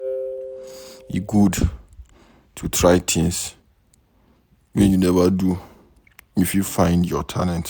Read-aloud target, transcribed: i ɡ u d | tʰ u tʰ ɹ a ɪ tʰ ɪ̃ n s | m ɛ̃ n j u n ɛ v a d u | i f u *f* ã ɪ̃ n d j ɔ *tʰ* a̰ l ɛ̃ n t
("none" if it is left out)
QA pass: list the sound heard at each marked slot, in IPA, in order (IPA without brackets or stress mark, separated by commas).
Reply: f, tʰ